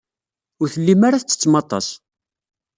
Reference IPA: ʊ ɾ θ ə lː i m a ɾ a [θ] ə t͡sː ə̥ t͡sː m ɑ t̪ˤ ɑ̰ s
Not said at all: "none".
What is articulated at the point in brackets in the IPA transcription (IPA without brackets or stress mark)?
θ